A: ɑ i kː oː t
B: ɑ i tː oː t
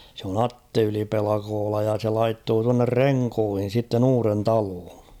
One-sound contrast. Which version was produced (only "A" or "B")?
B